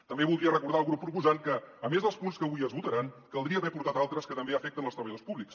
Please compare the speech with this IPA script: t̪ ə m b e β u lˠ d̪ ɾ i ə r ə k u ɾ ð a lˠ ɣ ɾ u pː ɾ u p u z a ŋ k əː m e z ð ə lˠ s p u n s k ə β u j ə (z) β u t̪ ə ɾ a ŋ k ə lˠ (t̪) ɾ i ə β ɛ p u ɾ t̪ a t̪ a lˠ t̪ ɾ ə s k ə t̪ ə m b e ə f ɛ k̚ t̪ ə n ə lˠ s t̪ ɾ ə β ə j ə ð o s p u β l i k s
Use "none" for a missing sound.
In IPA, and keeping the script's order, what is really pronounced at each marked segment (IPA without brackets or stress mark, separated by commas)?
z, d̪